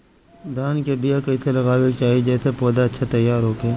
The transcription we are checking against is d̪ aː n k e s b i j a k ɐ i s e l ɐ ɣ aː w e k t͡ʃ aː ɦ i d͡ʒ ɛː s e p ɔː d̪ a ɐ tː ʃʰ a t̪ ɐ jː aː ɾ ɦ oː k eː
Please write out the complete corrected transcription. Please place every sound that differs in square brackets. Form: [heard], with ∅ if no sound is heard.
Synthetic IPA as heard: d̪ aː n k e [∅] b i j a k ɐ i s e l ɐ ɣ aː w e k t͡ʃ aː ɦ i d͡ʒ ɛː s e p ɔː d̪ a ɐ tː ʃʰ a t̪ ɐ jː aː ɾ ɦ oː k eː